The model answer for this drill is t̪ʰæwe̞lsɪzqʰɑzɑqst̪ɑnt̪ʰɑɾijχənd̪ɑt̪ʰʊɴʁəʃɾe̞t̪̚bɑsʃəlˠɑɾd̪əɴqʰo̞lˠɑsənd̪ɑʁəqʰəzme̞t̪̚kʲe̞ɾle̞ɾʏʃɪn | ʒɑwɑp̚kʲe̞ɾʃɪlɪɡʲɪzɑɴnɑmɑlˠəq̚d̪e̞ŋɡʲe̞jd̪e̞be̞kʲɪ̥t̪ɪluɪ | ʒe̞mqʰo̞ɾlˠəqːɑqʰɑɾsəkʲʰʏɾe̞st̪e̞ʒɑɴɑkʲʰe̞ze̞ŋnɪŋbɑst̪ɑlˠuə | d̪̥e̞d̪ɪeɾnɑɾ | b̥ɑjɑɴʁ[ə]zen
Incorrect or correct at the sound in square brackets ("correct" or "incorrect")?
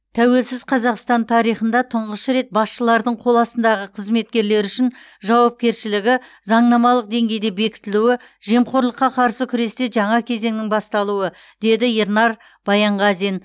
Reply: incorrect